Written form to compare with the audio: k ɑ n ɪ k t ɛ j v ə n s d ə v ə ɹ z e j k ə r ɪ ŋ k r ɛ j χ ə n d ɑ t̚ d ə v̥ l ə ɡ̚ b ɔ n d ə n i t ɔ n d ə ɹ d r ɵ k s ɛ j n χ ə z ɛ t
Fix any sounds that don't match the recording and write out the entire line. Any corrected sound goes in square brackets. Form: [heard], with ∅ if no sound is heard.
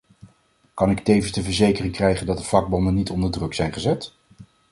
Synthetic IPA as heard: k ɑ n ɪ k t [e] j v ə n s d ə v ə ɹ z e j k ə r ɪ ŋ k r ɛ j χ ə n d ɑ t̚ d ə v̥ l [ɑ] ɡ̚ b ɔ n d ə n i t ɔ n d ə ɹ d r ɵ k s ɛ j n χ ə z ɛ t